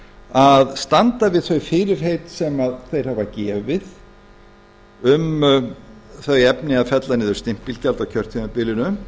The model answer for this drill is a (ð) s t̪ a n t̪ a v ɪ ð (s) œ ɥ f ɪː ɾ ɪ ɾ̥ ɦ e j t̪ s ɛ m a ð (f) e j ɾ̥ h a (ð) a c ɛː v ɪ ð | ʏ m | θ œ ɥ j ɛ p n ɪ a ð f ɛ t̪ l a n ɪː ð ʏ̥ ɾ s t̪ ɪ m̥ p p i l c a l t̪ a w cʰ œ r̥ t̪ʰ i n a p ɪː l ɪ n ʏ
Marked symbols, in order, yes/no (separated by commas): yes, no, no, no